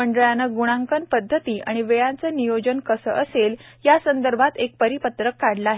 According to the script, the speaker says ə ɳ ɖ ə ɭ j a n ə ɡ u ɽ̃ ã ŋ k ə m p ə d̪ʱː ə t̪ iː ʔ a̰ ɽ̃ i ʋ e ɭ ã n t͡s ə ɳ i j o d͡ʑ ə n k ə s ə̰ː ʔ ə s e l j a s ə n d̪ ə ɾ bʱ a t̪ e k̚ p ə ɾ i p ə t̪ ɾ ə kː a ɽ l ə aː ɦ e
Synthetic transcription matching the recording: ə ɳ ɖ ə ɭ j a n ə ɡ u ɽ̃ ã ŋ k ə n p ə d̪ʱː ə t̪ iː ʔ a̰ ɽ̃ i ʋ e ɭ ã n t͡s ə n i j o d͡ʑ ə n k ə s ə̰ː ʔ ə s e l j a s ə n d̪ ə ɾ bʱ a t̪ e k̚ p ə ɾ i p ə t̪ ɾ ə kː a ɽ l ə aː ɦ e